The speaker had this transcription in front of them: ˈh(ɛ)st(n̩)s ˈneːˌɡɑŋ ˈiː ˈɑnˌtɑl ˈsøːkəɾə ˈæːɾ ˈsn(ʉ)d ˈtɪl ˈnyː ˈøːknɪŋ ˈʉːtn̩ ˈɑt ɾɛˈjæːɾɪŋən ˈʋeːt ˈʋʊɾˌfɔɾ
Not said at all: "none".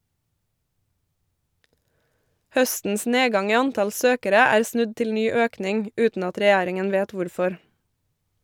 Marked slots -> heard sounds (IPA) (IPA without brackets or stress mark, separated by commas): œ, n̩, ʉ